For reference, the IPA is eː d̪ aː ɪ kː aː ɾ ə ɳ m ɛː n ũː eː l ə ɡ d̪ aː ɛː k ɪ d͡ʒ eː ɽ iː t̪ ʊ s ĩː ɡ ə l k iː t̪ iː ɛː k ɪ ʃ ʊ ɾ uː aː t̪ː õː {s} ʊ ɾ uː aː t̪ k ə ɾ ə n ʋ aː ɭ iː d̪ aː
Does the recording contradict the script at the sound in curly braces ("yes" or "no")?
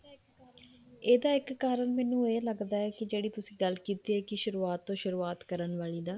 yes